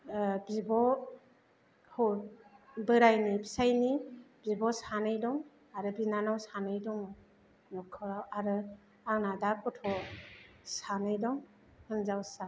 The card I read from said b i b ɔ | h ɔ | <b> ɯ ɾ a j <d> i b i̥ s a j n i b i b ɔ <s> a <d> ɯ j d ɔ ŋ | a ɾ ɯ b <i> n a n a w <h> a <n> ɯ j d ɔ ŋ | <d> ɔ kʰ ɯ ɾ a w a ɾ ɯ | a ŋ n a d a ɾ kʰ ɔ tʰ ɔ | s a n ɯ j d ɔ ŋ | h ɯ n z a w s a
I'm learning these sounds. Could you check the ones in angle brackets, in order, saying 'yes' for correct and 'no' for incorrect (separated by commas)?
yes, no, yes, no, yes, no, yes, no